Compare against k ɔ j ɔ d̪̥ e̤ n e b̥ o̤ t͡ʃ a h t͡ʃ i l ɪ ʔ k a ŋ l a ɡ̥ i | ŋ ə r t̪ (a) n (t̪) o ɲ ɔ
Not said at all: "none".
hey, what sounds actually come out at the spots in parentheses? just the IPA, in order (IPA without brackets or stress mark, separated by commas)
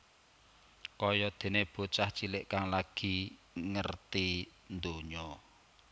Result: i, d̪